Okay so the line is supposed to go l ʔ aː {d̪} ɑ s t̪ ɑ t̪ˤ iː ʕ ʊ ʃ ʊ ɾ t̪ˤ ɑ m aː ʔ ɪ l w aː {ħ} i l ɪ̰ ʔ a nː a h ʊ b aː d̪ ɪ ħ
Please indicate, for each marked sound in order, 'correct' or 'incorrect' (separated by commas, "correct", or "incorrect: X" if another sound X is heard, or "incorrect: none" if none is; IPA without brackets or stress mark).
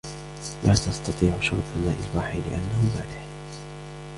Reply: incorrect: t̪, correct